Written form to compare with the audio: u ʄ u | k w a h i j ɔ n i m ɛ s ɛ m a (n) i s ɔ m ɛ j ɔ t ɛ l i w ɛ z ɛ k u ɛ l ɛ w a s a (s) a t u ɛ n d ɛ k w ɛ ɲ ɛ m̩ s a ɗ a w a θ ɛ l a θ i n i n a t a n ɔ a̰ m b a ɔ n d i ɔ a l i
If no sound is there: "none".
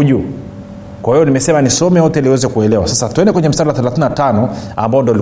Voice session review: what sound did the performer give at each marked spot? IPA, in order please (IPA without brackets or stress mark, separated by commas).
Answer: n, s